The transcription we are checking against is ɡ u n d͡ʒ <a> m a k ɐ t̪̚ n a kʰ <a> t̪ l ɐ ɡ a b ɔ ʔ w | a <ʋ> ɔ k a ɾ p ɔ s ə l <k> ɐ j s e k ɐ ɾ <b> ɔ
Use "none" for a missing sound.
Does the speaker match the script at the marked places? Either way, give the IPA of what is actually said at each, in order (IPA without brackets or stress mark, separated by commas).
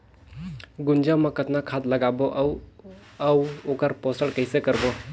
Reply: a, a, w, k, b